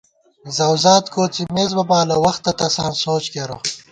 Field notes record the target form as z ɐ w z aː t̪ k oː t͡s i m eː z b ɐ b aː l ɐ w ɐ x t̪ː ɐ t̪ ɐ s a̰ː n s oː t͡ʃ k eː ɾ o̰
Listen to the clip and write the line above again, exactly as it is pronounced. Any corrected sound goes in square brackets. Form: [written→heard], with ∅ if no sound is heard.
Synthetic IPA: z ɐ w z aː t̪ k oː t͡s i m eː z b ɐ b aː l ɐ w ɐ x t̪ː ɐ t̪ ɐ s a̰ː n s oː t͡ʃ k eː ɾ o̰